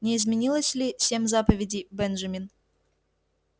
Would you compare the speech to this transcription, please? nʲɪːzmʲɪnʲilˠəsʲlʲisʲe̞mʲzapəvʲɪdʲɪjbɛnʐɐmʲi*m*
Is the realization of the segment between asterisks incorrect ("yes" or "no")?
yes